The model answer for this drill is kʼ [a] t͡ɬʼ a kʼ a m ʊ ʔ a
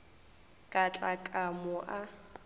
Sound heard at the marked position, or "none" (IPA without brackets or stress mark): a